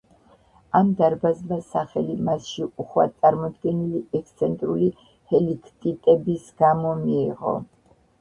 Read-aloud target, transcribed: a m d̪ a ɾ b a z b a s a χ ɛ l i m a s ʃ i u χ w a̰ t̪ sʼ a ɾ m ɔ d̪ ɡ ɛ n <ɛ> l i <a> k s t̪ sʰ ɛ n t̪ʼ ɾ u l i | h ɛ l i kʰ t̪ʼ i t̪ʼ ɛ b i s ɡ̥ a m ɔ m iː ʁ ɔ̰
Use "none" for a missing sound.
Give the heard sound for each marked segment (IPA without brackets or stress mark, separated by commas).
i, ɛ